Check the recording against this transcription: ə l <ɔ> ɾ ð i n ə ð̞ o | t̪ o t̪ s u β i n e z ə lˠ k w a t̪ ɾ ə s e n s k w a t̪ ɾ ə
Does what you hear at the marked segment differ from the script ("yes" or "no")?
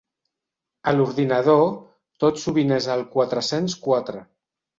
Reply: yes